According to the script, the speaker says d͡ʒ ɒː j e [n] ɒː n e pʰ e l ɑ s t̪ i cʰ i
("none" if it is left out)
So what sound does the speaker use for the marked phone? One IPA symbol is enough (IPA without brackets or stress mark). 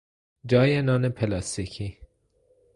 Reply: n